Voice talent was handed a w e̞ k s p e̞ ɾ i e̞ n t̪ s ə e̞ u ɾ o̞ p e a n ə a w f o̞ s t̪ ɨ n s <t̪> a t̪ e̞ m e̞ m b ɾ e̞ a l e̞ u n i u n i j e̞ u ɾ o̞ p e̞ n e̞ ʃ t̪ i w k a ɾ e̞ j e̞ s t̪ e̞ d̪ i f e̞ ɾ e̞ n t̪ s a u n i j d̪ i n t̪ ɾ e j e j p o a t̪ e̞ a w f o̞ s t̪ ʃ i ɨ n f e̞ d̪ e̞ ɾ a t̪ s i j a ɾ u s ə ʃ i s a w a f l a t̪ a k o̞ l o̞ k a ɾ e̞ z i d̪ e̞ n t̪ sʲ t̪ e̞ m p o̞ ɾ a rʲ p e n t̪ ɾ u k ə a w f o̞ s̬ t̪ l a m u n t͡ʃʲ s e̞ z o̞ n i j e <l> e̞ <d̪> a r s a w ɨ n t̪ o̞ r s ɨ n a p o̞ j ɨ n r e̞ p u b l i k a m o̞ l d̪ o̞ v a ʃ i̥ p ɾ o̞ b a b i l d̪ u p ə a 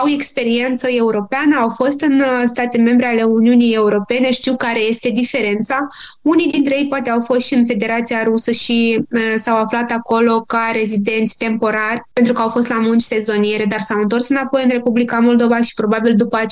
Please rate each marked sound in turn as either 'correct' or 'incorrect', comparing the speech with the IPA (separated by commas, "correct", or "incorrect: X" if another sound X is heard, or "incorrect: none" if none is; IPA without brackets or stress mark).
correct, incorrect: ɾ, correct